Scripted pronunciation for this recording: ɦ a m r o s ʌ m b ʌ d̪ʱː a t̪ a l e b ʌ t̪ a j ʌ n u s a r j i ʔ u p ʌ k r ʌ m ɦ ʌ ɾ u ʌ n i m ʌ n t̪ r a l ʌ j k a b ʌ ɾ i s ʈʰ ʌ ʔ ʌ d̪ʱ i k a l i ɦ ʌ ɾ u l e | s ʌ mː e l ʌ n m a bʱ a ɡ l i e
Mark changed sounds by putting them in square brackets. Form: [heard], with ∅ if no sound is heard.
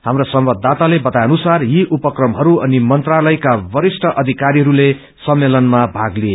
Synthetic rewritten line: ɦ a m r o s ʌ m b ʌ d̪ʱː a t̪ a l e b ʌ t̪ a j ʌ n u s a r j i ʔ u p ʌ k r ʌ m ɦ ʌ ɾ u ʌ n i m ʌ n t̪ r a l ʌ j k a b ʌ ɾ i s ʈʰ ʌ ʔ ʌ d̪ʱ i k a [ɾ] i ɦ ʌ ɾ u l e | s ʌ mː e l ʌ n m a bʱ a ɡ l i e